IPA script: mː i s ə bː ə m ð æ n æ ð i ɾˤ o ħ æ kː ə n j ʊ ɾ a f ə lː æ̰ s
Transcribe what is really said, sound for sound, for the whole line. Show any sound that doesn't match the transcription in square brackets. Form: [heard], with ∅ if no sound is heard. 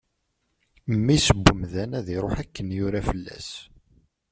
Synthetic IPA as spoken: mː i s ə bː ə m ð æ n æ ð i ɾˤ o ħ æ kː ə n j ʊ ɾ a f ə lː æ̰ s